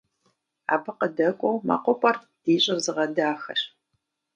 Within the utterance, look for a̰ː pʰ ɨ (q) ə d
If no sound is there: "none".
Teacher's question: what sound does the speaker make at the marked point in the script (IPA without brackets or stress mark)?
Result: q